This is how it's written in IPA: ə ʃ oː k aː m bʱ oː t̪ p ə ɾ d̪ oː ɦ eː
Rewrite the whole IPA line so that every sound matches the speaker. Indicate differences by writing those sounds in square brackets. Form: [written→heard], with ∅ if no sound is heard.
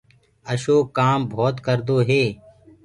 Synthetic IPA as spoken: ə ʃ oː k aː m bʱ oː t̪ [p→k] ə ɾ d̪ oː ɦ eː